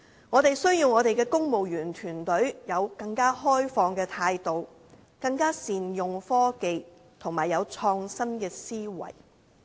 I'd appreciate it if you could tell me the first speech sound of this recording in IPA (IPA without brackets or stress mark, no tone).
ŋ